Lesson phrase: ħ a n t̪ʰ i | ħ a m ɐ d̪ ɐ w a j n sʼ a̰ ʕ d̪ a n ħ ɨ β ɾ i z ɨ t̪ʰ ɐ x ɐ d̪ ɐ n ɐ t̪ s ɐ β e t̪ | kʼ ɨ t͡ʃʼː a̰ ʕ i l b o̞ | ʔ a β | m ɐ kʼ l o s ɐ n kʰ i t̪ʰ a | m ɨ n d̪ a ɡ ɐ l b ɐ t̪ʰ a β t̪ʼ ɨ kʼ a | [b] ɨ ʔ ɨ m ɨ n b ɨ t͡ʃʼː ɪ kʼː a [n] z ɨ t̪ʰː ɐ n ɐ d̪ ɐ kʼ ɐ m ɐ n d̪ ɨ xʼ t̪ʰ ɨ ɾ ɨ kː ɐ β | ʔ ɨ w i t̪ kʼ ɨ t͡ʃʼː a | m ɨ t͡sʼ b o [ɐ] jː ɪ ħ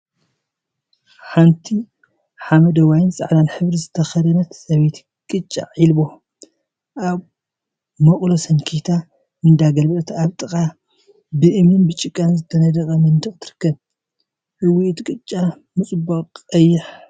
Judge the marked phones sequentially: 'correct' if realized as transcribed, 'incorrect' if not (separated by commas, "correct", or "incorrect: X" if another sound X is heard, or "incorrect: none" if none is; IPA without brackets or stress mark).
correct, correct, correct